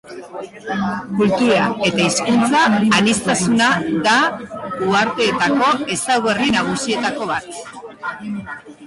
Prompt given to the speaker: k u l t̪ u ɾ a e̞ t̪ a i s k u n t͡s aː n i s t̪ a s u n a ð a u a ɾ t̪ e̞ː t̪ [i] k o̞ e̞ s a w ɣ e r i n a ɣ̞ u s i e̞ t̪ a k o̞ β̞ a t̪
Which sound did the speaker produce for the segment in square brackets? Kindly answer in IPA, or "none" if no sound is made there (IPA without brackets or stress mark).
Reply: a